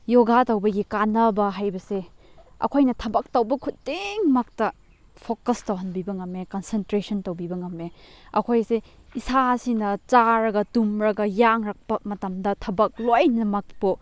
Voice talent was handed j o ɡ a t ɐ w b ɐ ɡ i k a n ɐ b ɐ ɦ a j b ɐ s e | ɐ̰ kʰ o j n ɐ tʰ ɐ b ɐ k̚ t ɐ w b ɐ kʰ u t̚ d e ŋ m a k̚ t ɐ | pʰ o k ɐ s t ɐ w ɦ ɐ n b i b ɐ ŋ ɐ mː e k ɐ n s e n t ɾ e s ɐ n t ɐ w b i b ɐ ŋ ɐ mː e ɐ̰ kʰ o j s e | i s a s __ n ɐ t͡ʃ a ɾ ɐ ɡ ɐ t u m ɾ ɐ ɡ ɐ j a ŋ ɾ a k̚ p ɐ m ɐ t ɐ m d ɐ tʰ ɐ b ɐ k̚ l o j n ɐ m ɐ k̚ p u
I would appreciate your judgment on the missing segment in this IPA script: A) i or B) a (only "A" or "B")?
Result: A